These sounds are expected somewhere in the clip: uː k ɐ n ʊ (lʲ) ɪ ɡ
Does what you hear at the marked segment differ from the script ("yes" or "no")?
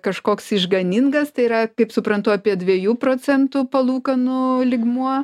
no